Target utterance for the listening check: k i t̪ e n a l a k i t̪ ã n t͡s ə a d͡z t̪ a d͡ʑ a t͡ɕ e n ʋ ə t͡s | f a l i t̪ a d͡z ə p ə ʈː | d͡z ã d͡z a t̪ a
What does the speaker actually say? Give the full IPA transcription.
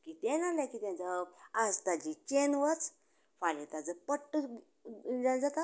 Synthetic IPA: k i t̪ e n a l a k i t̪ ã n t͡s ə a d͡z t̪ a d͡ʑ i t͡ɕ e n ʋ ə t͡s | f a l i t̪ a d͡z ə p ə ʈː | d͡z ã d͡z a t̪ a